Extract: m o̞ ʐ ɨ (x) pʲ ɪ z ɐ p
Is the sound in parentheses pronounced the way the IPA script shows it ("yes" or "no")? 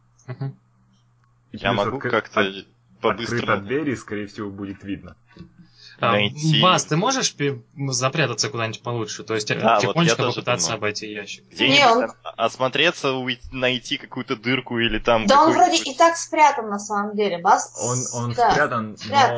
no